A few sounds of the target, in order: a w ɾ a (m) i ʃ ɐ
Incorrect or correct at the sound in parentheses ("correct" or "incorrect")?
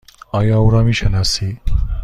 correct